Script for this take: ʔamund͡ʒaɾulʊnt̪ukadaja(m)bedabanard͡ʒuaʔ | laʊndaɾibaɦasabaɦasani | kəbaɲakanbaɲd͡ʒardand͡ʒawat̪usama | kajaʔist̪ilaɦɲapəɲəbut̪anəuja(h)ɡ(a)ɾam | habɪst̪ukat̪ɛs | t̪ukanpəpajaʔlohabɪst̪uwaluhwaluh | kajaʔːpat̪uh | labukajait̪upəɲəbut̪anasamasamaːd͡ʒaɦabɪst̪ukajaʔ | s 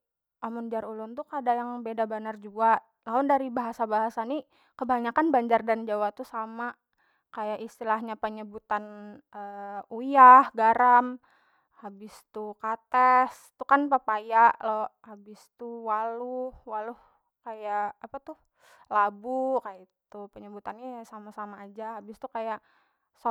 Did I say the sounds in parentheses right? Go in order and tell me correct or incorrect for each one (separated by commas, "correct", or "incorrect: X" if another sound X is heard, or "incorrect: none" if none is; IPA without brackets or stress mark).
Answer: incorrect: ŋ, correct, correct